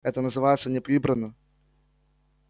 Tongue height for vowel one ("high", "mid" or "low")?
mid